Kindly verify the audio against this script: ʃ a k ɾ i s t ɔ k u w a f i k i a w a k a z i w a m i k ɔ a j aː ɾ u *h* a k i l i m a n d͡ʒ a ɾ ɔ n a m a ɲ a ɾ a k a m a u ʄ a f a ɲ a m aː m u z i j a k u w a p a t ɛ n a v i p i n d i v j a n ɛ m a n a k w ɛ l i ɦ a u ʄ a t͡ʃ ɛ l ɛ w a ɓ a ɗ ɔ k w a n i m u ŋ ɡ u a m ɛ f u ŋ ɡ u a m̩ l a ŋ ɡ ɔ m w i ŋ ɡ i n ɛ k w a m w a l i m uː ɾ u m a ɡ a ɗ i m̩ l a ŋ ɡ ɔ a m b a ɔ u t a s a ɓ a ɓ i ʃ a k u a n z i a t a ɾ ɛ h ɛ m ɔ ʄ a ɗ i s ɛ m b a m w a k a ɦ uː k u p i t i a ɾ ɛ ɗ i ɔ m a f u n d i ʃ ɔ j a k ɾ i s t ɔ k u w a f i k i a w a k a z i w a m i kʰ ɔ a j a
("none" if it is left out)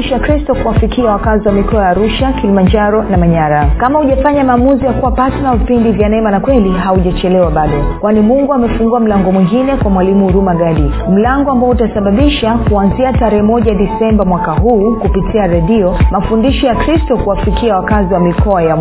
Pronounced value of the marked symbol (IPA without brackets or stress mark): ʃ